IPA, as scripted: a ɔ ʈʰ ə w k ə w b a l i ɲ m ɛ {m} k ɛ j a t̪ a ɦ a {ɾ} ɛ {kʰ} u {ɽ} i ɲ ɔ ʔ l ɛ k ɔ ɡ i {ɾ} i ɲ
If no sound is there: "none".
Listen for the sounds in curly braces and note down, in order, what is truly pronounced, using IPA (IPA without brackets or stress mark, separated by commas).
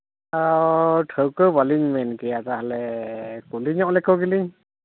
n, l, k, l, l